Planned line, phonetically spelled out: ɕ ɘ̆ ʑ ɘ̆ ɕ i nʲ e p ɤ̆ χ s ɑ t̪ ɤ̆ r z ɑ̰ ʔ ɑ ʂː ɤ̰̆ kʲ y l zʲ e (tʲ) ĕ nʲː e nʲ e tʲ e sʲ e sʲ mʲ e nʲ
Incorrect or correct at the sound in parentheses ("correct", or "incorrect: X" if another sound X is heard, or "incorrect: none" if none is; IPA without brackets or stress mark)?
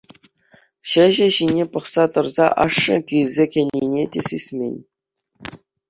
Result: incorrect: kʲ